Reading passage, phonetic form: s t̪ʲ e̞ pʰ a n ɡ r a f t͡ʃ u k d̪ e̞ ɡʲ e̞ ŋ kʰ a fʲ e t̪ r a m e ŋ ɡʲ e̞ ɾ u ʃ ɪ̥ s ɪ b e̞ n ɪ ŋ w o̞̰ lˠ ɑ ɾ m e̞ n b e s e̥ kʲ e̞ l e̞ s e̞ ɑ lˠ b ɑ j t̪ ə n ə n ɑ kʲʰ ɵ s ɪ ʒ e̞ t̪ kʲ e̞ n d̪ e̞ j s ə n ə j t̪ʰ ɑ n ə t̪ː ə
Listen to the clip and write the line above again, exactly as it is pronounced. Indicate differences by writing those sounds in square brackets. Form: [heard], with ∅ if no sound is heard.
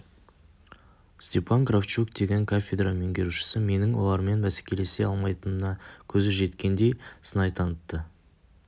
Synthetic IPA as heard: s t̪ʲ e̞ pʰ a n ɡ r a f t͡ʃ u k d̪ e̞ ɡʲ e̞ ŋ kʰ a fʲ e [d̪] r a m e ŋ ɡʲ e̞ ɾ u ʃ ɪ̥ s ɪ [m] e̞ n ɪ ŋ w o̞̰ lˠ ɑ ɾ m e̞ n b [æ] s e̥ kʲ e̞ l e̞ s e̞ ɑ lˠ [m] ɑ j t̪ ə n ə n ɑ kʲʰ ɵ [z] ɪ ʒ e̞ t̪ kʲ e̞ n d̪ e̞ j s ə n [ɑ] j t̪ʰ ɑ n ə t̪ː ə